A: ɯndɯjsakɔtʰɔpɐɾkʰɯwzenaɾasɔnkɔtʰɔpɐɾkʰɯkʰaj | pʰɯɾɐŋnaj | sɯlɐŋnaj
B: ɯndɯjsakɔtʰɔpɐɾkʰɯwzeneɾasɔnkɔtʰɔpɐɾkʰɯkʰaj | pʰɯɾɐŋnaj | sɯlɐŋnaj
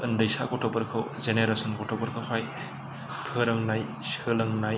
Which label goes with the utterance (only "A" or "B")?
B